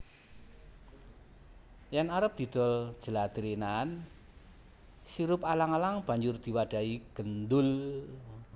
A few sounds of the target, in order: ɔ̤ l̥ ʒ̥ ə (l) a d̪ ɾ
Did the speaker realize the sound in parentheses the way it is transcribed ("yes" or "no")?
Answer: yes